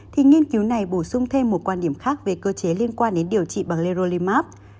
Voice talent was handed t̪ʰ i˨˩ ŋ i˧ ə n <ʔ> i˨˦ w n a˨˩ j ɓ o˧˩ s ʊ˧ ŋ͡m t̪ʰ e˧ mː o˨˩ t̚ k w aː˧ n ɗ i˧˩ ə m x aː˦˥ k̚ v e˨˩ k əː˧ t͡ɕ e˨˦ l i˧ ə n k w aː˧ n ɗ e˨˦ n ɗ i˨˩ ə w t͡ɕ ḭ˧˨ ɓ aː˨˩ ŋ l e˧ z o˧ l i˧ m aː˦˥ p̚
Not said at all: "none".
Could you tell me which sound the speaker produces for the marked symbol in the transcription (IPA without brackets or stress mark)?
k